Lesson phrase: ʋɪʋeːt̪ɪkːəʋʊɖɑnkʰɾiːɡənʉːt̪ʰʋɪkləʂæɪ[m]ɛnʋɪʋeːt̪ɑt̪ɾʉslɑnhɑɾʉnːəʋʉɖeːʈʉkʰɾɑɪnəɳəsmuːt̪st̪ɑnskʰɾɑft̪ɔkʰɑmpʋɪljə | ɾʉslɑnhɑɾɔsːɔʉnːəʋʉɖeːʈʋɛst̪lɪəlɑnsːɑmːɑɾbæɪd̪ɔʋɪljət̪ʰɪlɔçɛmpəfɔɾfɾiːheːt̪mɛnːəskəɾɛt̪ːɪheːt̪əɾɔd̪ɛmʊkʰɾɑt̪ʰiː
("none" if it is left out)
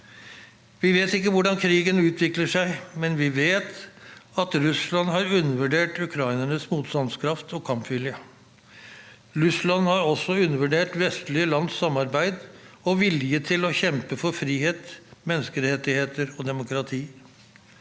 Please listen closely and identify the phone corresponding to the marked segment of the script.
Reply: m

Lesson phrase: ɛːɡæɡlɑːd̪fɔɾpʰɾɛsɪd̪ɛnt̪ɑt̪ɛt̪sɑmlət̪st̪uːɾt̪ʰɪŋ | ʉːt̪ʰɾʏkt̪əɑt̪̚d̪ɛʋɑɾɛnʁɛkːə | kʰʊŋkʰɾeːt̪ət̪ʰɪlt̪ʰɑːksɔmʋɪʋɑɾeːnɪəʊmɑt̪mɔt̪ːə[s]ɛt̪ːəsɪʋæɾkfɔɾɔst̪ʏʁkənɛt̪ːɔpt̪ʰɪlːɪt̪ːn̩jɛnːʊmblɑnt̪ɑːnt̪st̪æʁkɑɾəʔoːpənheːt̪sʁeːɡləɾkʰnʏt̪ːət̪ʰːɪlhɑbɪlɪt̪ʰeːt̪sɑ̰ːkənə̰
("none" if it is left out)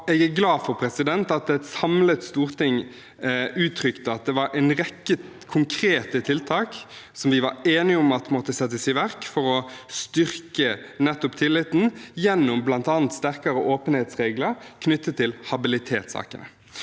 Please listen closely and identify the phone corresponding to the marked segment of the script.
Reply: s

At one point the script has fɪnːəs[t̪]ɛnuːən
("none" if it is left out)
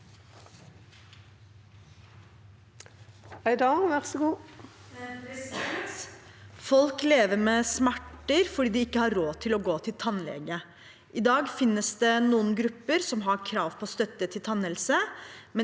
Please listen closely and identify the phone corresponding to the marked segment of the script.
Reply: d̪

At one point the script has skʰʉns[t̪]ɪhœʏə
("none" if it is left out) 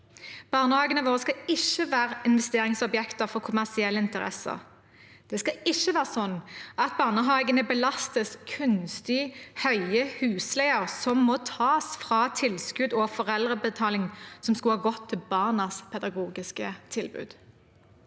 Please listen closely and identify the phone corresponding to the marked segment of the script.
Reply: t̪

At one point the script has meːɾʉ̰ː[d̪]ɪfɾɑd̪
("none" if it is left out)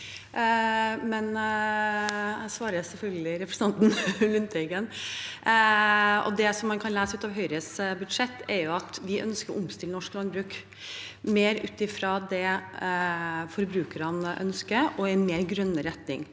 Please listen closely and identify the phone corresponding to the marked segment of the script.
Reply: t̪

